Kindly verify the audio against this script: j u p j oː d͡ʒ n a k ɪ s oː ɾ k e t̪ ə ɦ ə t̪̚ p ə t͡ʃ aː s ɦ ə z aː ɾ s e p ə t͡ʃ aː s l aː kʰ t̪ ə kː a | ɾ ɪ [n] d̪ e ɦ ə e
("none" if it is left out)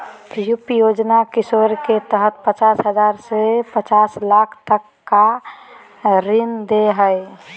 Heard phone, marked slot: n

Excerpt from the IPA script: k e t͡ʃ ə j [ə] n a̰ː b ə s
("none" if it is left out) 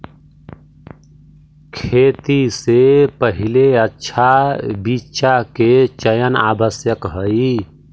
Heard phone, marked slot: ə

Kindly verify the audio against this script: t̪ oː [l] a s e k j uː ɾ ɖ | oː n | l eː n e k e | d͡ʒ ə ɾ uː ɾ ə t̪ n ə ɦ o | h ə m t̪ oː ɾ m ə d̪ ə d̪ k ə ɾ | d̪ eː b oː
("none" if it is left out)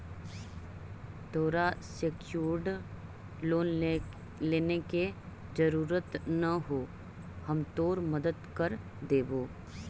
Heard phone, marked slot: ɾ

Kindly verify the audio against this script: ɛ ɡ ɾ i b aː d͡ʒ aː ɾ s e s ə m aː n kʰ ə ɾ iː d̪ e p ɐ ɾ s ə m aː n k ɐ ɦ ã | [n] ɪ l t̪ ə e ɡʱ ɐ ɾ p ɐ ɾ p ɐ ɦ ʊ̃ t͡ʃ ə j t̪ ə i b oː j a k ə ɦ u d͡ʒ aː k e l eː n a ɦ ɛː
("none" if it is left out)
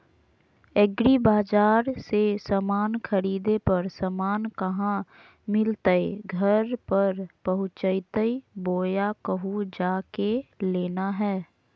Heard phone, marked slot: m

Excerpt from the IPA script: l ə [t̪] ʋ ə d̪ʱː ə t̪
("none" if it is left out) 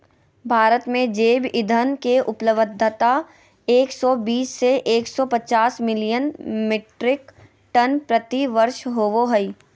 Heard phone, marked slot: none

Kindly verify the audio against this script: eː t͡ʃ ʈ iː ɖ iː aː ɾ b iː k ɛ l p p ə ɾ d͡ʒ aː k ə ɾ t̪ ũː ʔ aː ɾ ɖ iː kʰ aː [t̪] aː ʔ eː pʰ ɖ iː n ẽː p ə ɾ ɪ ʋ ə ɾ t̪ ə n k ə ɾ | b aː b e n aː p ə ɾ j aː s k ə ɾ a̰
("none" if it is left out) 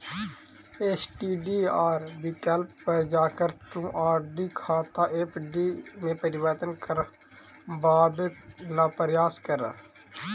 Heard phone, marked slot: t̪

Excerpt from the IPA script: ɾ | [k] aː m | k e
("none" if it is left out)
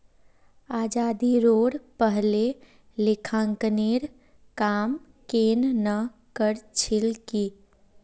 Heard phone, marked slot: k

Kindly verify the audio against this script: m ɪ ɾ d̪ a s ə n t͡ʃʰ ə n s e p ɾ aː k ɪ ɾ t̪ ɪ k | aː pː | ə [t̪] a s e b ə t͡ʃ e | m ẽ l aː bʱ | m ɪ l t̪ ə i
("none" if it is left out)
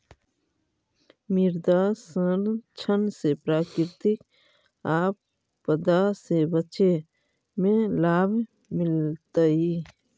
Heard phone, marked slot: d̪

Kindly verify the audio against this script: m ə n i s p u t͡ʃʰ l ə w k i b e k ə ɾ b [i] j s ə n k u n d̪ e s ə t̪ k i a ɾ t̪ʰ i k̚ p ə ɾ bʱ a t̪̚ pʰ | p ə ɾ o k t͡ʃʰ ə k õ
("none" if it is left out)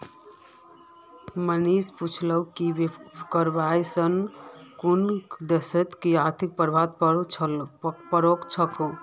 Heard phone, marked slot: a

